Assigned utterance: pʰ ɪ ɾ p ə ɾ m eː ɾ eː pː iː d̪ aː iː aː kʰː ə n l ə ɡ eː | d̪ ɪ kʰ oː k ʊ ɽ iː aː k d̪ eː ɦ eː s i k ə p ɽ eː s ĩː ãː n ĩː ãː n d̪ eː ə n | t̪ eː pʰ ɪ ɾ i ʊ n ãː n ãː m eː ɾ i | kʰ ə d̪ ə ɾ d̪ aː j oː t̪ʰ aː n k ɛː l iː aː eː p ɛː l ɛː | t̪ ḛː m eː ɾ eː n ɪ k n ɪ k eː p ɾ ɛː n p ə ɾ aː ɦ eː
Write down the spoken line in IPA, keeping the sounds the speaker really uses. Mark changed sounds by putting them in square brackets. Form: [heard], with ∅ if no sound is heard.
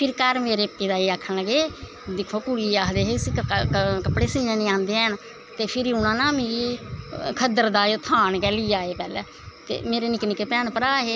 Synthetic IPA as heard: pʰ ɪ ɾ [k] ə ɾ m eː ɾ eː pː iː d̪ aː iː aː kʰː ə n l ə ɡ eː | d̪ ɪ kʰ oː k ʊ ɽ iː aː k d̪ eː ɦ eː s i k ə p ɽ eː s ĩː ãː n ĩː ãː n d̪ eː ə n | t̪ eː pʰ ɪ ɾ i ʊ n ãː n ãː m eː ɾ i | kʰ ə d̪ ə ɾ d̪ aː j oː t̪ʰ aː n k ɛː l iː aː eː p ɛː l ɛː | t̪ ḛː m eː ɾ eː n ɪ k n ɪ k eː p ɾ ɛː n p ə ɾ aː ɦ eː

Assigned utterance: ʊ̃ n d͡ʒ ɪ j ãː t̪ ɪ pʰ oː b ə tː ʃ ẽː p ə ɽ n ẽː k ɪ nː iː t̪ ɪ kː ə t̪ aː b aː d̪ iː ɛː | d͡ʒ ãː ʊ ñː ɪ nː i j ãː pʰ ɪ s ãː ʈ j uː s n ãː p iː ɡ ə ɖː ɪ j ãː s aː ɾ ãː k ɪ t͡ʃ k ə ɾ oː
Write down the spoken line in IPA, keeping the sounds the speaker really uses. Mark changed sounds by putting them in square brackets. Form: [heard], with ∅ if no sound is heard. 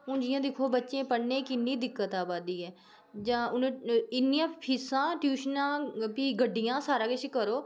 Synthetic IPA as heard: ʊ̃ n d͡ʒ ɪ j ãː [d̪] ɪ [kʰ] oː b ə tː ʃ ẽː p ə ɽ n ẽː k ɪ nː iː [d̪] ɪ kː ə t̪ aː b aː d̪ iː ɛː | d͡ʒ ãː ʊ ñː ɪ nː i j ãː pʰ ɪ s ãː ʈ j uː [ʃ] n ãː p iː ɡ ə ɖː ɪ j ãː s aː ɾ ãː k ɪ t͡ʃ k ə ɾ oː

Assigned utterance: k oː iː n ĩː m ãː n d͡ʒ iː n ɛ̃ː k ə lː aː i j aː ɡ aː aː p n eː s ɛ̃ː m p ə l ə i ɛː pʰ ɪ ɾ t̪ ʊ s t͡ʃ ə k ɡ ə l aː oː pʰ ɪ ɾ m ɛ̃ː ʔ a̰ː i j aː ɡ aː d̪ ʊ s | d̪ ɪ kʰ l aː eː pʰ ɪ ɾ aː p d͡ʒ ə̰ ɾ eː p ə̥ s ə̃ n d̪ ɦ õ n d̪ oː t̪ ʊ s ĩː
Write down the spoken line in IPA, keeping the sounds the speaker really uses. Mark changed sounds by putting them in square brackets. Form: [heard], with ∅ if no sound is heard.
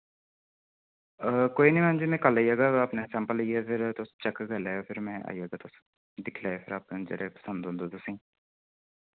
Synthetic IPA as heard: k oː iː n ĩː m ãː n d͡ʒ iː [m] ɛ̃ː k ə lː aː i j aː ɡ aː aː p n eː s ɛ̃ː m p ə l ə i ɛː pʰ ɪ ɾ t̪ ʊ s t͡ʃ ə k ɡ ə l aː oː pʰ ɪ ɾ m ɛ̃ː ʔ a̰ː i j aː ɡ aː [t̪] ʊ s | d̪ ɪ kʰ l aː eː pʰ ɪ ɾ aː p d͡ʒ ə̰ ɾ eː p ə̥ s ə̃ n d̪ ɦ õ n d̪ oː t̪ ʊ s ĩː

